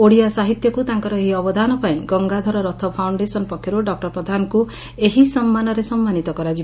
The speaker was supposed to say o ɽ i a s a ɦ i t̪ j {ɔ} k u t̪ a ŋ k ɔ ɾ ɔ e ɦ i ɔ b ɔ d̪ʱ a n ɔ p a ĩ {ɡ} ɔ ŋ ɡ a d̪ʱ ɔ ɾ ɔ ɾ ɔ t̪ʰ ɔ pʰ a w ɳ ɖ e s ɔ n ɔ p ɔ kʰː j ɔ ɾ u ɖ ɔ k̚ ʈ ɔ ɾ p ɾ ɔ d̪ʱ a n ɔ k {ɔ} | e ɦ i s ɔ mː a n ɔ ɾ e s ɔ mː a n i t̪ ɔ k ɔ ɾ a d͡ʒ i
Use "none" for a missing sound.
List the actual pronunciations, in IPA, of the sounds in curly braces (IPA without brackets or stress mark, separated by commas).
ɔ, ɡ, u